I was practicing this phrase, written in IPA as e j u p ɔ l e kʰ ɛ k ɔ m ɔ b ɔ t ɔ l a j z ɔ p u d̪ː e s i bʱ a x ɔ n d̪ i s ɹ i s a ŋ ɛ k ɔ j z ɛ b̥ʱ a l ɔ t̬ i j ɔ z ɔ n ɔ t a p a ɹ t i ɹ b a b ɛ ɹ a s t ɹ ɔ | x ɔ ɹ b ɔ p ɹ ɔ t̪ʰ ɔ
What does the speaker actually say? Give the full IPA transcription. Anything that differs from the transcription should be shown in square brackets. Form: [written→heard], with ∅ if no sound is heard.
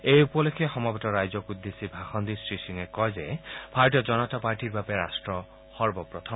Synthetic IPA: e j u p ɔ l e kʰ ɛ [k→x] ɔ m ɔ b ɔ t ɔ [l→ɹ] a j z ɔ [p→k] u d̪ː e s i bʱ a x ɔ n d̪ i s ɹ i s [a→i] ŋ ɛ k ɔ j z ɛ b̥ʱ a [l→ɹ] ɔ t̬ i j ɔ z ɔ n ɔ t a p a ɹ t i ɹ b a b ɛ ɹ a s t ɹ ɔ | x ɔ ɹ b ɔ p ɹ ɔ t̪ʰ ɔ